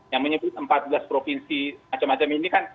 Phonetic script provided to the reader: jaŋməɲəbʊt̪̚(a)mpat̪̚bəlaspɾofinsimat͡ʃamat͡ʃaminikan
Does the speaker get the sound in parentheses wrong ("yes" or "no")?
yes